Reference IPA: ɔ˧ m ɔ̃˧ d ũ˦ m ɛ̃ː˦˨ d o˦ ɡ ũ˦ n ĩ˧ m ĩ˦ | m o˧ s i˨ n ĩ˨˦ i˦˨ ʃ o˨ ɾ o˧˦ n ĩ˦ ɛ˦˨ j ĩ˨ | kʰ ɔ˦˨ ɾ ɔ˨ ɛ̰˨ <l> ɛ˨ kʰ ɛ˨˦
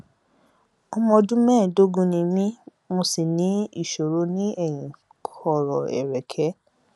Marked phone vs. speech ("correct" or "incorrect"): incorrect